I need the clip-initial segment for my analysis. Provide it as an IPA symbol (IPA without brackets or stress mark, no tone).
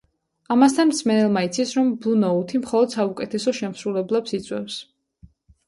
a